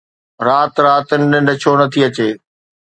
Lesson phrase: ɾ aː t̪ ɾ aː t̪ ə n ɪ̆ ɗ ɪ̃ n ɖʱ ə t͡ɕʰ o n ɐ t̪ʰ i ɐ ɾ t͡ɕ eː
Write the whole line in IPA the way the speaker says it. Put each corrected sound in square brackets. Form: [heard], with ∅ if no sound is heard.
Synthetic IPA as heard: ɾ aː t̪ ɾ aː t̪ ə n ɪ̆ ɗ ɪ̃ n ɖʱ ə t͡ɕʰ o n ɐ t̪ʰ i ɐ [∅] t͡ɕ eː